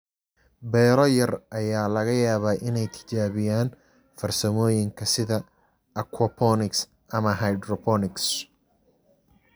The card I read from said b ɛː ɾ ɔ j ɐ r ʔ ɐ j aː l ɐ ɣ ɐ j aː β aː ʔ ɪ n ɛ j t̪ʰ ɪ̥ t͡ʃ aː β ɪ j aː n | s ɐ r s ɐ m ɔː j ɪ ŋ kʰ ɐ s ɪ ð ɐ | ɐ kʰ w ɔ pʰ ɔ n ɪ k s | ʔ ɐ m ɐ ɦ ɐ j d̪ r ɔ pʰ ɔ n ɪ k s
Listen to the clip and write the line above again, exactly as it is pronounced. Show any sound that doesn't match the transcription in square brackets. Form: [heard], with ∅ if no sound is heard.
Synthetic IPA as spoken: b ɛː ɾ ɔ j ɐ r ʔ ɐ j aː l ɐ ɣ ɐ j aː β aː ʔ ɪ n ɛ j t̪ʰ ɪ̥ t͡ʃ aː β ɪ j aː n | [f] ɐ r s ɐ m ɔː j ɪ ŋ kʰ ɐ s ɪ ð ɐ | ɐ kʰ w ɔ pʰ ɔ n ɪ k s | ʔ ɐ m ɐ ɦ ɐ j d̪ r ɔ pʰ ɔ n ɪ k s